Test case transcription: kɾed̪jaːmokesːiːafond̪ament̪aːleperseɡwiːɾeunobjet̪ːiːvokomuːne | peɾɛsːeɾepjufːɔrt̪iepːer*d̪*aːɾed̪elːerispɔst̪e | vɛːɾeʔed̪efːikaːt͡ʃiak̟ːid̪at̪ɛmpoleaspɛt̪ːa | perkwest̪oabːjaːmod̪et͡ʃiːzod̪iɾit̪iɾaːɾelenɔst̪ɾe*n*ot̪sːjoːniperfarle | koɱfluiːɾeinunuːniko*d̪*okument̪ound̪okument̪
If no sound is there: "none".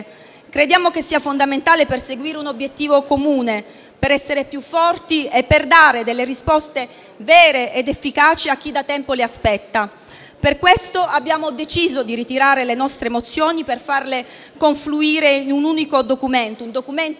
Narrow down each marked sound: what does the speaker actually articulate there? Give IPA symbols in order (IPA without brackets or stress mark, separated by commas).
d̪, m, d̪